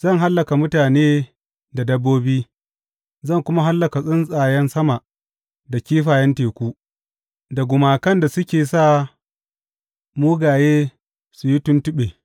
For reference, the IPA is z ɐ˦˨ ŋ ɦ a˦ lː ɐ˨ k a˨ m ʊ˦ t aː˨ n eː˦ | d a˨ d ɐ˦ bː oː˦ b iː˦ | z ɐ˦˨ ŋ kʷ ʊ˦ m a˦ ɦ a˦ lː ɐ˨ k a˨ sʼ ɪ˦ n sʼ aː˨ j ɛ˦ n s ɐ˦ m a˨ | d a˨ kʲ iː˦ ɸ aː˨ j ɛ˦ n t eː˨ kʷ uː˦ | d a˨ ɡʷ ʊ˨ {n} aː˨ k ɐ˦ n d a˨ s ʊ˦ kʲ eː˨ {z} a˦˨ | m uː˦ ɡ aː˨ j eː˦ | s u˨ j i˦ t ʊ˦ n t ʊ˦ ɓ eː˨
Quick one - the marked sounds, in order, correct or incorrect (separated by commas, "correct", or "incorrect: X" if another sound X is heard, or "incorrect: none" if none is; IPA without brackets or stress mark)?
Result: incorrect: m, incorrect: s